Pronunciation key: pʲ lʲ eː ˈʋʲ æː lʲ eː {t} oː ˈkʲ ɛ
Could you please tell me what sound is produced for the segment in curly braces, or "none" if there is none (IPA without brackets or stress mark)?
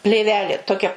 t